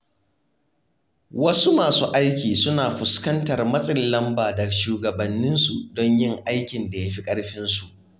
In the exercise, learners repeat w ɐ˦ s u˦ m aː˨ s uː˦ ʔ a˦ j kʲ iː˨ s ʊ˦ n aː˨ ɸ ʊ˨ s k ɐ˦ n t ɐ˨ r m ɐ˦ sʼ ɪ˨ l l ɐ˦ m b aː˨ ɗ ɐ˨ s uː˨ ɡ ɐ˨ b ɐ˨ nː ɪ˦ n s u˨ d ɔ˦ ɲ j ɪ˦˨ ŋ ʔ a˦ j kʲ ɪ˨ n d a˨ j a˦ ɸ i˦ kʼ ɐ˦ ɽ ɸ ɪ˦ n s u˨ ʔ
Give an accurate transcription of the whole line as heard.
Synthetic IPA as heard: w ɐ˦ s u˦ m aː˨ s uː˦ ʔ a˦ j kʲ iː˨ s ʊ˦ n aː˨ ɸ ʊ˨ s k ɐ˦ n t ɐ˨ r m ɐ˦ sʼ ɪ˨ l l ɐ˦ m b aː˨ d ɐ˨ ʃ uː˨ ɡ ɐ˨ b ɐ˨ nː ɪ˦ n s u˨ d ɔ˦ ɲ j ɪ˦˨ ŋ ʔ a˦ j kʲ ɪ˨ n d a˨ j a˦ ɸ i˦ kʼ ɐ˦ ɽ ɸ ɪ˦ n s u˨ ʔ

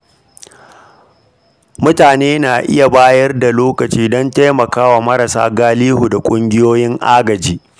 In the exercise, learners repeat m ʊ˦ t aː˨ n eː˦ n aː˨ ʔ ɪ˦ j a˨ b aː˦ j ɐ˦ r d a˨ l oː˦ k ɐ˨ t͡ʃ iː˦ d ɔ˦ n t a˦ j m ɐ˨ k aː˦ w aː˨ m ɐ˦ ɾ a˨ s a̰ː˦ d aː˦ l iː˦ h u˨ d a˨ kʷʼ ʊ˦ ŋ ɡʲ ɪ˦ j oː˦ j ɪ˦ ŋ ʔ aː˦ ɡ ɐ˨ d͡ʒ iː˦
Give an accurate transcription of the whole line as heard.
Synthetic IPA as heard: m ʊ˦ t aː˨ n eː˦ n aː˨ ʔ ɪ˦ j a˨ b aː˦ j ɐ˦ r d a˨ l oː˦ k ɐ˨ t͡ʃ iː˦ d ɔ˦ n t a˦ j m ɐ˨ k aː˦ w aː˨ m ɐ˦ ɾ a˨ s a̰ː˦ ɡ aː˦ l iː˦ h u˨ d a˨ kʷʼ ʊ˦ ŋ ɡʲ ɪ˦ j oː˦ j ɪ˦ ŋ ʔ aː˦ ɡ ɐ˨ d͡ʒ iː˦

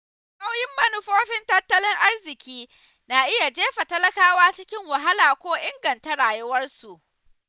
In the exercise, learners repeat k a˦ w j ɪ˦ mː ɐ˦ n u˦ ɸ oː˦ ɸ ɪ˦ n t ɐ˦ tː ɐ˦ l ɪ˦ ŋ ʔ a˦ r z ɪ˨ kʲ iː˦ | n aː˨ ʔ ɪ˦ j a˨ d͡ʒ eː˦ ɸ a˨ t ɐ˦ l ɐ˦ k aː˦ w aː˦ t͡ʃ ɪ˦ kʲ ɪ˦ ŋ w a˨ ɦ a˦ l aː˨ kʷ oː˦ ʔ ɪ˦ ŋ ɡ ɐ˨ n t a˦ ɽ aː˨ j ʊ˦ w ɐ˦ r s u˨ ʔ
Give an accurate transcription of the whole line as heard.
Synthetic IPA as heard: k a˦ w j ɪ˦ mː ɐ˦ n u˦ ɸ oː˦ ɸ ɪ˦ n t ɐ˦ tː ɐ˦ l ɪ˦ ŋ ʔ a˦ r z ɪ˨ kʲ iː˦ | n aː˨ ʔ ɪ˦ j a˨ d͡ʒ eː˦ ɸ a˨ t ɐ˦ l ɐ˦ k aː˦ w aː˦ t͡ʃ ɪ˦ kʲ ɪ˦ ŋ w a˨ ɦ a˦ l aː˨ kʷ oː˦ ʔ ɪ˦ ŋ ɡ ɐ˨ n t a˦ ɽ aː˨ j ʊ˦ w ɐ˦ r s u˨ ʔ

